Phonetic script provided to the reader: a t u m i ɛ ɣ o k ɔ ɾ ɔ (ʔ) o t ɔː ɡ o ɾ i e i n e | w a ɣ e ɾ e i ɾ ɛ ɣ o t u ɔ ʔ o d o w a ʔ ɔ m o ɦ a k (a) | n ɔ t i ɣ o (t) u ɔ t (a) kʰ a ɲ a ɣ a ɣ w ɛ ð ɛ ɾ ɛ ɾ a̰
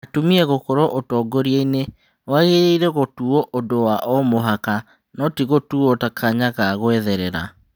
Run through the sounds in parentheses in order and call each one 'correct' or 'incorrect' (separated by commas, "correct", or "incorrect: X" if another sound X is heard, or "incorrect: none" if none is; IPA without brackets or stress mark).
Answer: correct, correct, correct, correct